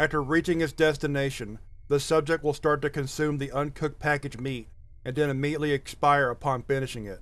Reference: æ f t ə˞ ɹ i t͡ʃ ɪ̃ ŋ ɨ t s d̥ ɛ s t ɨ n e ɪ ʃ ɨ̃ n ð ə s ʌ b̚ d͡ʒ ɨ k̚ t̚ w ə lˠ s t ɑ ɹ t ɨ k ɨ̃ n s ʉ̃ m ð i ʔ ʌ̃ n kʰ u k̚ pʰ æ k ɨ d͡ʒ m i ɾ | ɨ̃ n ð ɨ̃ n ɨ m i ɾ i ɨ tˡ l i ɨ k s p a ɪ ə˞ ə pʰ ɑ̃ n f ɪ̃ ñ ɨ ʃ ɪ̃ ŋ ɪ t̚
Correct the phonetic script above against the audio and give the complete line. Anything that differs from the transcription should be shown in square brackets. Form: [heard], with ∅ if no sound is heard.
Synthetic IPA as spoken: æ f t ə˞ ɹ i t͡ʃ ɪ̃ ŋ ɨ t s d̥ ɛ s t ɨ n e ɪ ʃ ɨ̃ n ð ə s ʌ b̚ d͡ʒ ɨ k̚ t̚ w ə lˠ s t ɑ ɹ t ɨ k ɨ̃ n s ʉ̃ m ð i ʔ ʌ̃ n kʰ [ʊ] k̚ pʰ æ k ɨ d͡ʒ m i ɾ | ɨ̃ n ð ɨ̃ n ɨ m i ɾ i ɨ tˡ l i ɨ k s p a ɪ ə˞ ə pʰ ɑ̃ n f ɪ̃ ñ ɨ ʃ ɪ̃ ŋ ɪ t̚